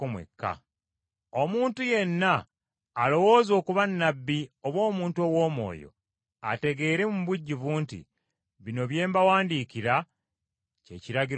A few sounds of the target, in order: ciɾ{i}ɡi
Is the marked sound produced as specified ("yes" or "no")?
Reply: no